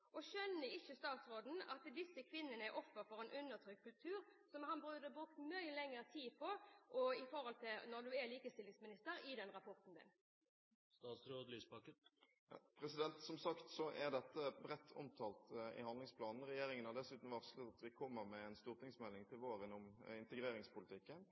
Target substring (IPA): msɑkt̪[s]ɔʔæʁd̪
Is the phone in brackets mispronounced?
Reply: no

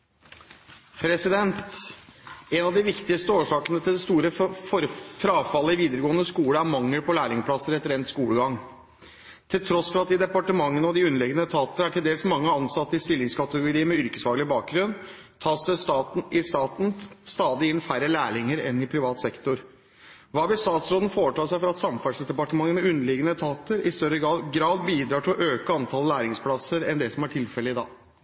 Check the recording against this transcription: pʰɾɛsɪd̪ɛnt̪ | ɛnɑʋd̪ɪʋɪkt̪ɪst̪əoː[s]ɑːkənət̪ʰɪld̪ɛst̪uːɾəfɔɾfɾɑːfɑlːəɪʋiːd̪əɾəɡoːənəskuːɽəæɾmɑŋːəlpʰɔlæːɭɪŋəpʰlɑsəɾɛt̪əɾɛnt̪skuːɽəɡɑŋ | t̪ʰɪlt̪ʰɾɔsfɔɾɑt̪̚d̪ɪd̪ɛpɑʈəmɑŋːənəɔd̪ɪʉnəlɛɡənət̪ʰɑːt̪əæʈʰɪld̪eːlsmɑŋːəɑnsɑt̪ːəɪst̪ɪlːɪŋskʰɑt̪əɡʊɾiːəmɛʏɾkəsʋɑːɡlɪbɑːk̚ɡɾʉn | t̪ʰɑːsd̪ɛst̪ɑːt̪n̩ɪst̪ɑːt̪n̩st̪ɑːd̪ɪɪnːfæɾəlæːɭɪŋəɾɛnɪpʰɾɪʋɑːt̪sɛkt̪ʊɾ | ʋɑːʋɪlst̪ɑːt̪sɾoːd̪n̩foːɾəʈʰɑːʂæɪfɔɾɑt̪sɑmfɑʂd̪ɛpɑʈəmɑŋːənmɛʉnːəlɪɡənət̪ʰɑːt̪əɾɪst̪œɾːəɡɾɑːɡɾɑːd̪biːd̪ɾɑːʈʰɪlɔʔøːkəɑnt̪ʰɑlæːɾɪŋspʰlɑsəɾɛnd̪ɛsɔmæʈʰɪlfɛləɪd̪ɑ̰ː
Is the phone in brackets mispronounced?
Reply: yes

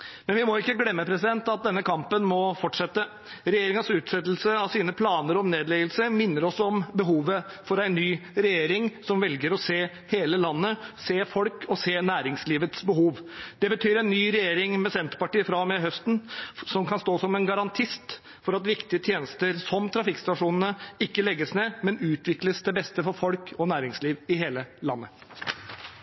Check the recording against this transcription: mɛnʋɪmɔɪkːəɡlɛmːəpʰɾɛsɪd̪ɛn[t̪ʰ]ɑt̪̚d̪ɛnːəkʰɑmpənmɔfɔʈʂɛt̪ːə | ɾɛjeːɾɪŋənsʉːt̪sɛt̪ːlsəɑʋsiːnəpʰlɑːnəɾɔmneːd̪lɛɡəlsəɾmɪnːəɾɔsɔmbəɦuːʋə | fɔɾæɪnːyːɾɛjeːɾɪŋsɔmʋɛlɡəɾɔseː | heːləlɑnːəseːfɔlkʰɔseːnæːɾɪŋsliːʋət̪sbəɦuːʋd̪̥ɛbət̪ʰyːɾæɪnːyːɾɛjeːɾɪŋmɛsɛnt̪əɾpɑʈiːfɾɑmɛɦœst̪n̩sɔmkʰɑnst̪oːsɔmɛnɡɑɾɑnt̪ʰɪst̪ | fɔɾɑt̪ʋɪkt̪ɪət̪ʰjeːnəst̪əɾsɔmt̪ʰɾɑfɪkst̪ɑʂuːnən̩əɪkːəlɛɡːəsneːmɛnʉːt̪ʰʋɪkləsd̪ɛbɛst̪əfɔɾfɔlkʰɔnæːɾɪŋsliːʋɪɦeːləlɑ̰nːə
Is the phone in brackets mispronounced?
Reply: yes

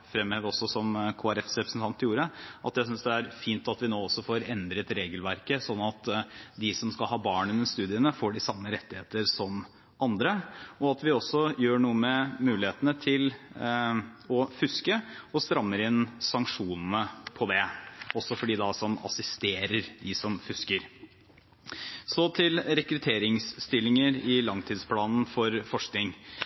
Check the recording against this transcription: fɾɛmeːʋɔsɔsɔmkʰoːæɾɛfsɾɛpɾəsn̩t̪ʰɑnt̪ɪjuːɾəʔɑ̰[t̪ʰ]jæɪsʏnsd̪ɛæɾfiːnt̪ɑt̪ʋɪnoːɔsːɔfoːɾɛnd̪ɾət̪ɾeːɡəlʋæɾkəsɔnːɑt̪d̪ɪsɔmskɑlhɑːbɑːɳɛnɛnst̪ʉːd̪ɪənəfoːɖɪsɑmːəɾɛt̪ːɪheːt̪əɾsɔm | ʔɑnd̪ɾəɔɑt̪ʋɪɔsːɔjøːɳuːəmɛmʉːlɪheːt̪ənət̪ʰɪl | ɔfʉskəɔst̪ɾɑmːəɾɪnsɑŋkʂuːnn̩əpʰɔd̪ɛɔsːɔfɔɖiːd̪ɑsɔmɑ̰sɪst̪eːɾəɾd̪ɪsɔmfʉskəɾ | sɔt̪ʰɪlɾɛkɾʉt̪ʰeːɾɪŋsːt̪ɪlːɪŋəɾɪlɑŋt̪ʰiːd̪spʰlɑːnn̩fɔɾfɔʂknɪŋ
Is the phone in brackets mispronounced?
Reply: yes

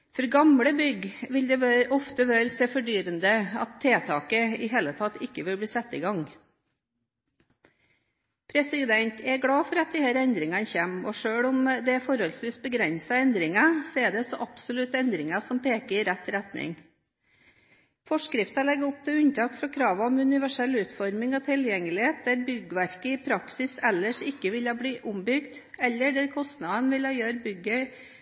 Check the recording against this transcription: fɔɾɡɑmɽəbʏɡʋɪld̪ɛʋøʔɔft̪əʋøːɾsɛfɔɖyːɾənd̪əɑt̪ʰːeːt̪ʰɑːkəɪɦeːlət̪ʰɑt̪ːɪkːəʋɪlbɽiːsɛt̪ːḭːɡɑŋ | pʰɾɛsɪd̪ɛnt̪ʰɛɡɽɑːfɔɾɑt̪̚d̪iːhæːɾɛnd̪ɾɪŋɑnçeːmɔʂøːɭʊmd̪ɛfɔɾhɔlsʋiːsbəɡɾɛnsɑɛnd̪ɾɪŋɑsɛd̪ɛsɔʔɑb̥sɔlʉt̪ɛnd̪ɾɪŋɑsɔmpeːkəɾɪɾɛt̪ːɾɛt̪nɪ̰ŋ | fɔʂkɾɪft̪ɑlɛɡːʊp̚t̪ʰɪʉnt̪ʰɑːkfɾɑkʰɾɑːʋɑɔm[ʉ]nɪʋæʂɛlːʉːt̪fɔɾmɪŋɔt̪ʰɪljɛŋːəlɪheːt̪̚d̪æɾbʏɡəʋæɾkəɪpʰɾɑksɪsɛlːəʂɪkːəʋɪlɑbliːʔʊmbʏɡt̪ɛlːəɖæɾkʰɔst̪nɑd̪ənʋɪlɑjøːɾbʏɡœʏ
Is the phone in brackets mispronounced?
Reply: no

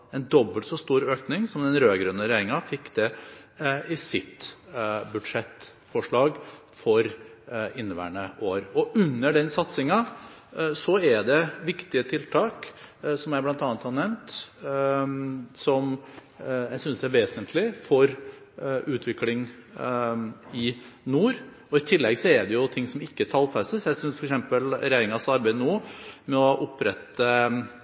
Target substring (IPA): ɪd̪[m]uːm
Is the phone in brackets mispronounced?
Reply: yes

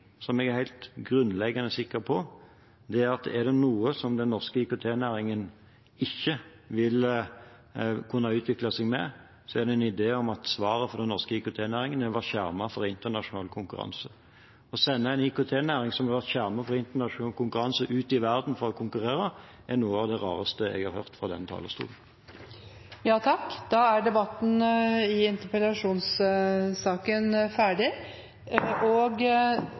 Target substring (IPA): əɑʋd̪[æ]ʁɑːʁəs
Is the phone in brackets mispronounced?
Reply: yes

